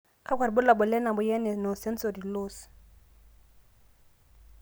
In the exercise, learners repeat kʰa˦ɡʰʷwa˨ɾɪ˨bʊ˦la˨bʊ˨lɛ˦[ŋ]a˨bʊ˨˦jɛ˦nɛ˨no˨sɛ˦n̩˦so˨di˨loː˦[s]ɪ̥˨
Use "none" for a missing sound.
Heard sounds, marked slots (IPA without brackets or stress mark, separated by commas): n, s